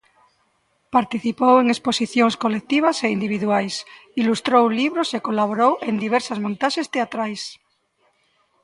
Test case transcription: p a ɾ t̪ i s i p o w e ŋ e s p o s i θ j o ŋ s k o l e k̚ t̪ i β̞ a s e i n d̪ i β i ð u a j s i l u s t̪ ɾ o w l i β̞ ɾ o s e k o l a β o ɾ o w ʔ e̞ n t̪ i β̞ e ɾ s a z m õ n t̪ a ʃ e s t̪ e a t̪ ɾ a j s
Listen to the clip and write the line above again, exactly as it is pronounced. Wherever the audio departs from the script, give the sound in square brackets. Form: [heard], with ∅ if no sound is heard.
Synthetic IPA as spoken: p a ɾ t̪ i [θ] i p o w e ŋ e s p o s i θ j o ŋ s k o l e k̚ t̪ i β̞ a s e i n d̪ i β i ð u a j s i l u s t̪ ɾ o w l i β̞ ɾ o s e k o l a β o ɾ o w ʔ e̞ n [d̪] i β̞ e ɾ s a z m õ n t̪ a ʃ e s t̪ e a t̪ ɾ a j s